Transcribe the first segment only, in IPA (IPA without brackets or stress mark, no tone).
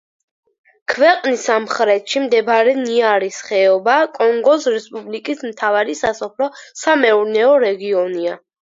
kʰ